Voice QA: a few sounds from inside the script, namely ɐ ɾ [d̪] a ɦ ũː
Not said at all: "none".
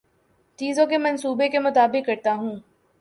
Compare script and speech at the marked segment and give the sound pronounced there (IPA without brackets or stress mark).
t̪